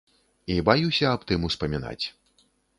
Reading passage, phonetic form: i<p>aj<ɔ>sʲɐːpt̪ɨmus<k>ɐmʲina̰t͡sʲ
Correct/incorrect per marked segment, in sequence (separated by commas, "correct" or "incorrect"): incorrect, incorrect, incorrect